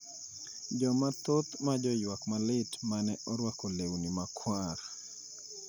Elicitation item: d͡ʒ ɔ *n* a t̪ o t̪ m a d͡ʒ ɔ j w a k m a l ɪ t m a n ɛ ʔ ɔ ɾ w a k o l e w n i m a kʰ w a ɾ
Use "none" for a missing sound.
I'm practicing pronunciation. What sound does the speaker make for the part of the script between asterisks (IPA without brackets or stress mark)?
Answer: m